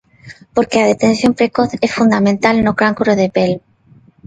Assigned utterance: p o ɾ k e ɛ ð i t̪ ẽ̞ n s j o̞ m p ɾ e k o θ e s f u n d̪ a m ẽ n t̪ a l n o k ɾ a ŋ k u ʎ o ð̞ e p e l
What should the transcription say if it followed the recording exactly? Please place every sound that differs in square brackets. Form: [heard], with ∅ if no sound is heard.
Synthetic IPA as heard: p o ɾ k e [a] ð [e] t̪ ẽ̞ n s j o̞ m p ɾ e k o θ e s f u n d̪ a m ẽ n t̪ a l n o k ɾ a ŋ k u [ɾ] o ð̞ e p e l